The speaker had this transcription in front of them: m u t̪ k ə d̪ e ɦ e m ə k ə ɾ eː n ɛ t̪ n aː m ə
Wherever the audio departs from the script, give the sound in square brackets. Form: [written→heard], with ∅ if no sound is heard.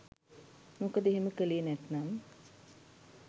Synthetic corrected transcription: m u [t̪→∅] k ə d̪ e ɦ e m ə k ə [ɾ→l] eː n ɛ t̪ n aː m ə